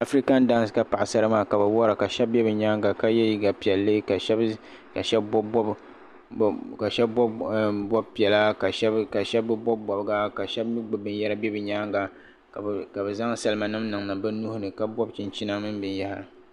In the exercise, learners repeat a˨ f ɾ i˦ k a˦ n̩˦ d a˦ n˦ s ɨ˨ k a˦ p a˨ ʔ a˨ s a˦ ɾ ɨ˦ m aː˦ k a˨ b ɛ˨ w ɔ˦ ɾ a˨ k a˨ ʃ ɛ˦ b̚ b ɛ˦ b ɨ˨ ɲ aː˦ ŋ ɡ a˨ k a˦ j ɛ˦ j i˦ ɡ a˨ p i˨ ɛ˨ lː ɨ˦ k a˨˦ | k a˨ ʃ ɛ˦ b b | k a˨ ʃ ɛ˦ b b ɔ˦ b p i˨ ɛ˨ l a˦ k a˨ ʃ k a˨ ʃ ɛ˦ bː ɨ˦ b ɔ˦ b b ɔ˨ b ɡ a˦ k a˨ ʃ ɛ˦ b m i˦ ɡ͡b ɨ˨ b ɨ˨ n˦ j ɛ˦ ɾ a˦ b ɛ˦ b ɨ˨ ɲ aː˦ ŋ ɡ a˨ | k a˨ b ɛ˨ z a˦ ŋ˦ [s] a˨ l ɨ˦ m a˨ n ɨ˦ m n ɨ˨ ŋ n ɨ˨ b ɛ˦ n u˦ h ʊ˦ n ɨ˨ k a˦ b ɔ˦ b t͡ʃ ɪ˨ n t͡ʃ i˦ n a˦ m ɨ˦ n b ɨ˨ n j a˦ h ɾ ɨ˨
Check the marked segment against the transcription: correct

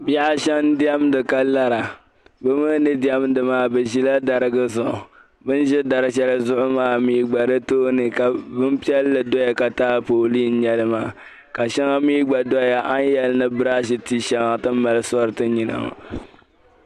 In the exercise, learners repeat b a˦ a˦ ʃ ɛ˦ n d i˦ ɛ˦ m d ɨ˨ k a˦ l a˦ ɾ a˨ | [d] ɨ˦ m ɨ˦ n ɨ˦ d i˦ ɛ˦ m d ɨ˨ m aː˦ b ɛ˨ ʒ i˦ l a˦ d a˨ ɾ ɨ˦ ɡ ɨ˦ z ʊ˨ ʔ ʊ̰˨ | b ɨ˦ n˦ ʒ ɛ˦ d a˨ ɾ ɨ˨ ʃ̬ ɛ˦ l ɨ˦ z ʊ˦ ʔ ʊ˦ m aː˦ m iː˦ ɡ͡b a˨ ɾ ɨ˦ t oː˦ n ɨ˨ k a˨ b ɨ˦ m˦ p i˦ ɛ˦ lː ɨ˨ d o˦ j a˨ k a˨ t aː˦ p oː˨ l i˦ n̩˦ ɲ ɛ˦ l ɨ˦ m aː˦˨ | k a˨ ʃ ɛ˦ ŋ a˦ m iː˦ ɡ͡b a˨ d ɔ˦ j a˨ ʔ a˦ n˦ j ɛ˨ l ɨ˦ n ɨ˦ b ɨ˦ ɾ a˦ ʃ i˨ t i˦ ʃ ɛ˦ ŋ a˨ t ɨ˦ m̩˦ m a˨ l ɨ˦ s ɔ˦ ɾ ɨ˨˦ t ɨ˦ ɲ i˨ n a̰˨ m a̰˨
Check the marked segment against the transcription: incorrect: b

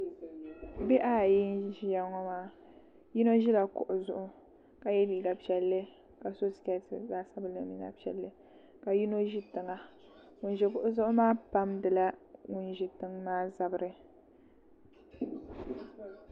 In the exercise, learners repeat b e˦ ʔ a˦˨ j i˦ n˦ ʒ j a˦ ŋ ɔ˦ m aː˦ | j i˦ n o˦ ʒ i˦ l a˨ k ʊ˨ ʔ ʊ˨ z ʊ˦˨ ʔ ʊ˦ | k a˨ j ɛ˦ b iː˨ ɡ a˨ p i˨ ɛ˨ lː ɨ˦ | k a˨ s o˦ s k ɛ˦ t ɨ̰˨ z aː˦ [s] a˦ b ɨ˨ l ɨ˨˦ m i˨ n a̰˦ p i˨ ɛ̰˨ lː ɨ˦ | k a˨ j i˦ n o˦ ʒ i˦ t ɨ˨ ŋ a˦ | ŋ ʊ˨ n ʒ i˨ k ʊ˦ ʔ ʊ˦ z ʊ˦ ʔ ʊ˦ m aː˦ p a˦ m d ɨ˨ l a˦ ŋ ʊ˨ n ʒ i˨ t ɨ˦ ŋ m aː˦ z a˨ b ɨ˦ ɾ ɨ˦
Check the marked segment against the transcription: correct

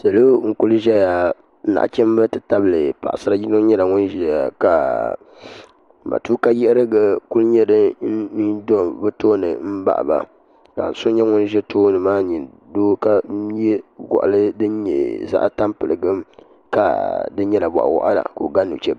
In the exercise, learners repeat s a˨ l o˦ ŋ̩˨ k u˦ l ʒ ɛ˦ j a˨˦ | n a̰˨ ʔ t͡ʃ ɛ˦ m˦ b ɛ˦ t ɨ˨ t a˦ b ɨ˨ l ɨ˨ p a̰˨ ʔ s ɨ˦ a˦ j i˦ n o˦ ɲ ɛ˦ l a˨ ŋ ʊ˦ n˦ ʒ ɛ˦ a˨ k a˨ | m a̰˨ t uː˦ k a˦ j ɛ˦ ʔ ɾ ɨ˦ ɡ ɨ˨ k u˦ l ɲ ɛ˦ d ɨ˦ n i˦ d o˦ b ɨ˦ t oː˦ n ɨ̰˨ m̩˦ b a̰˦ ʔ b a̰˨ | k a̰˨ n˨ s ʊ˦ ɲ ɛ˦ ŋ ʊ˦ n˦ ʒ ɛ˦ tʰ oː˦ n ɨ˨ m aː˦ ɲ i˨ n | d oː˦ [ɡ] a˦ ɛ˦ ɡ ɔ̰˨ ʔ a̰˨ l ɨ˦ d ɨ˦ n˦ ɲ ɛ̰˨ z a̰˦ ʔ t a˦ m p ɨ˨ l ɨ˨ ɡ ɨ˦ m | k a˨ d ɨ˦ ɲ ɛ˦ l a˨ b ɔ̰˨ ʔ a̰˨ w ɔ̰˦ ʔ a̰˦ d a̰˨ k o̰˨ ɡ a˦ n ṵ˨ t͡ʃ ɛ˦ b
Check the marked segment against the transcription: incorrect: k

